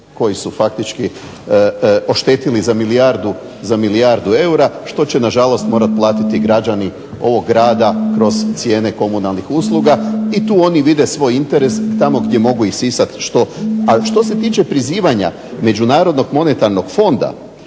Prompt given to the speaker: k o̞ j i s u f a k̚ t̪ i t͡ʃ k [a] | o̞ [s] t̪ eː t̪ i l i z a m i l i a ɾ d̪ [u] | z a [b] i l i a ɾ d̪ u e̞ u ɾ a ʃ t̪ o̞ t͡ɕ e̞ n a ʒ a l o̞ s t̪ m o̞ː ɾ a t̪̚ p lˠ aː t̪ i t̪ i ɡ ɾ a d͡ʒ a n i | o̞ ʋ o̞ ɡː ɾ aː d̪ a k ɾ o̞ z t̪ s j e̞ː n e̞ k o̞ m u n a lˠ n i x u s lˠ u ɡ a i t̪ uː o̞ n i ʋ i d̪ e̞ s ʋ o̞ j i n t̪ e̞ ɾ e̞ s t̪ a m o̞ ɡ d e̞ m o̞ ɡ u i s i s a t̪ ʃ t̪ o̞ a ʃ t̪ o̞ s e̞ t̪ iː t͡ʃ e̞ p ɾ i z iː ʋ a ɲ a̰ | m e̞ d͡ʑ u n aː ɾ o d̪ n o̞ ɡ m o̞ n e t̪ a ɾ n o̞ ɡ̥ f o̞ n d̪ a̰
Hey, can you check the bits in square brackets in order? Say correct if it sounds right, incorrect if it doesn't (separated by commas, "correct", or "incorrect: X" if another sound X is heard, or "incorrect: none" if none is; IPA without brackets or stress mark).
incorrect: i, incorrect: ʃ, correct, incorrect: m